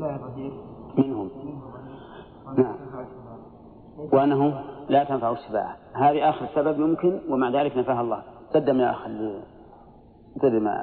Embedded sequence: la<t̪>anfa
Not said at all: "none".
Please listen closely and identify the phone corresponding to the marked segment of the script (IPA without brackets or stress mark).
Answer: t̪